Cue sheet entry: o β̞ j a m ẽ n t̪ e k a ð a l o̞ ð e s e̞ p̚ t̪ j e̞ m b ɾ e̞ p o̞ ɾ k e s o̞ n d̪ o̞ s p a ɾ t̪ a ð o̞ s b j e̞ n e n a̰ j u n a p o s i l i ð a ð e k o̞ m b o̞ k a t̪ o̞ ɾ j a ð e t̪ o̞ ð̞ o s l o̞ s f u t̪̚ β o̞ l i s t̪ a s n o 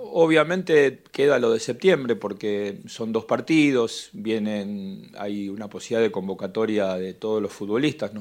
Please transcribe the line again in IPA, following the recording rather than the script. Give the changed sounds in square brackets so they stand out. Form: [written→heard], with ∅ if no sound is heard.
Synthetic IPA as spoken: o β̞ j a m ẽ n t̪ e k [a→e] ð a l o̞ ð e s e̞ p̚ t̪ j e̞ m b ɾ e̞ p o̞ ɾ k e s o̞ n d̪ o̞ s p a ɾ t̪ [a→i] ð o̞ s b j e̞ n e n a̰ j u n a p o s i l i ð a ð e k o̞ m b o̞ k a t̪ o̞ ɾ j a ð e t̪ o̞ ð̞ o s l o̞ s f u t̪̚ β o̞ l i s t̪ a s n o